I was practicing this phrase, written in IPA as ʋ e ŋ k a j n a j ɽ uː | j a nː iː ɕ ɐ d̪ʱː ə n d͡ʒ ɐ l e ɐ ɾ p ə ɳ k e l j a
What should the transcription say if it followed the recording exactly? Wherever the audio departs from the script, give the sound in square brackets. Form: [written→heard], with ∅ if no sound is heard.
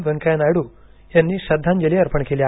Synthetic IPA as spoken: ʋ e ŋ k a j n a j ɽ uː | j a nː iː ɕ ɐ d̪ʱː [ə→a] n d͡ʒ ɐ l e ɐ ɾ p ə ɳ k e l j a